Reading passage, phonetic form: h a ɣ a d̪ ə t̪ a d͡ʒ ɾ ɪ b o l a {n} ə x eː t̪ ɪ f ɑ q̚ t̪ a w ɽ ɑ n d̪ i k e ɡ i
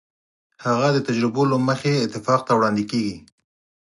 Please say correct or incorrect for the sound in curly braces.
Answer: incorrect